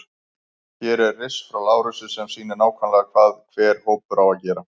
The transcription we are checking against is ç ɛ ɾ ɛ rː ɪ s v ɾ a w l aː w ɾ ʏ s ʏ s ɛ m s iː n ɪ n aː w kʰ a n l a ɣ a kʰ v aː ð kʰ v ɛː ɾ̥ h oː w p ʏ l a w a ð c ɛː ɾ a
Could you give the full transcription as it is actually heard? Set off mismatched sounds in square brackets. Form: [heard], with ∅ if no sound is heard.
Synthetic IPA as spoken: ç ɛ ɾ ɛ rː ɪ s [f] ɾ a w l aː w ɾ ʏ s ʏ s ɛ m s iː n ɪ n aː w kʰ a n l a ɣ a kʰ v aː ð kʰ v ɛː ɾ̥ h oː w p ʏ [ɾ] a w a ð c ɛː ɾ a